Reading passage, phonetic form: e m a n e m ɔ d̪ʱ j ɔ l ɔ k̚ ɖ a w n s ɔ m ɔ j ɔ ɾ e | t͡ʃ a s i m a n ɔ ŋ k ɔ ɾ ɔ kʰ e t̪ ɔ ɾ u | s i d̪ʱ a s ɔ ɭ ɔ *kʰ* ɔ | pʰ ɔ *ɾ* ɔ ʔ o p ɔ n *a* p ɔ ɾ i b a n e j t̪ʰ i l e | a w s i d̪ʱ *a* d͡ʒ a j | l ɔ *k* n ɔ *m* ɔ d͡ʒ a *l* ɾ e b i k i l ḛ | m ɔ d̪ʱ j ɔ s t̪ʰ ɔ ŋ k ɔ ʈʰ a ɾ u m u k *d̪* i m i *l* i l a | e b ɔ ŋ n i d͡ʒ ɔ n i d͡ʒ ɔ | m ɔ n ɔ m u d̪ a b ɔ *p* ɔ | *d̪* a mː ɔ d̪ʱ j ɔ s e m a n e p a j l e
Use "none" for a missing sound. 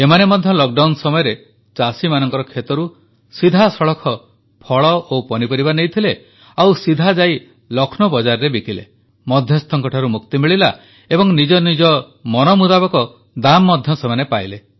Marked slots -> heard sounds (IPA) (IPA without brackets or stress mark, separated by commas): kʰ, ɭ, i, a, kʰ, b, ɾ, t̪, ɭ, k, d̪